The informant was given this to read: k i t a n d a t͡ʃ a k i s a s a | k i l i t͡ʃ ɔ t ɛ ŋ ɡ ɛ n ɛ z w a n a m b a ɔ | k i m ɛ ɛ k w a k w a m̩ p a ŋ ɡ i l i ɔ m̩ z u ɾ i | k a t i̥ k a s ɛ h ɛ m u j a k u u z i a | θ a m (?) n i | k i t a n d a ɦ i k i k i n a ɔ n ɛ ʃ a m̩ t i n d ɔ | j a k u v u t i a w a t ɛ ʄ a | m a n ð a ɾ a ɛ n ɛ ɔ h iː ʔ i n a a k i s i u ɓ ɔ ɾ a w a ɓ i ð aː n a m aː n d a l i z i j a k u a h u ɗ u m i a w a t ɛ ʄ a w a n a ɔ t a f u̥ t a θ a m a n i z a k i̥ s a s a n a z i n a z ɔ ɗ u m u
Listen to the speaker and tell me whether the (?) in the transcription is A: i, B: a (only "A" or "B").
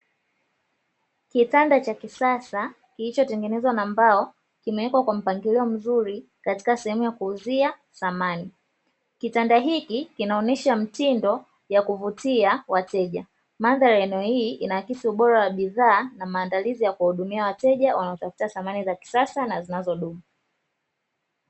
B